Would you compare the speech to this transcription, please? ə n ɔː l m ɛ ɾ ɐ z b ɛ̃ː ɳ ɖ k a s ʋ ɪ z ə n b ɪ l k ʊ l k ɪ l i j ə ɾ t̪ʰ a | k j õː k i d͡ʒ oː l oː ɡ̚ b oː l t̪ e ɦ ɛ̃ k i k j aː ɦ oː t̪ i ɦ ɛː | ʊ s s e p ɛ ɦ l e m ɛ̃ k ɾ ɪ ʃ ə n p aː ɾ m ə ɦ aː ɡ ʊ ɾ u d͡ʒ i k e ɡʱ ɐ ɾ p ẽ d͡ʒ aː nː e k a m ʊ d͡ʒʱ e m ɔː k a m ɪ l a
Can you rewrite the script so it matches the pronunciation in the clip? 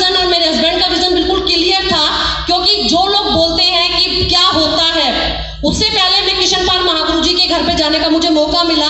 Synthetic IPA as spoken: ə n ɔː ɾ m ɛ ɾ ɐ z b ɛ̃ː ɳ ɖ k a ʋ ɪ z ə n b ɪ l k ʊ l k ɪ l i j ə ɾ t̪ʰ a | k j õː k i d͡ʒ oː l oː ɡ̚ b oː l t̪ e ɦ ɛ̃ k i k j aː ɦ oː t̪ a ɦ ɛː | ʊ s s e p ɛ ɦ l e m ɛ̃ k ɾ ɪ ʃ ə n p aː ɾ m ɐ ɦ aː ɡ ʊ ɾ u d͡ʒ i k e ɡʱ ɐ ɾ p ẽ d͡ʒ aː n e k a m ʊ d͡ʒʱ e m ɔː k a m ɪ l a